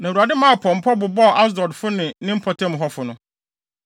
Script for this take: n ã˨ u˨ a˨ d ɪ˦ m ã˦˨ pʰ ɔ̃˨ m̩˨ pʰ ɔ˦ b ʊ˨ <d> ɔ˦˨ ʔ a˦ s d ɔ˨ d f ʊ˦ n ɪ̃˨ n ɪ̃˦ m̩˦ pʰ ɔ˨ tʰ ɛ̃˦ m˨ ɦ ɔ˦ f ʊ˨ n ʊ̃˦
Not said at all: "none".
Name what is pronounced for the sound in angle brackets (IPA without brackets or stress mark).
b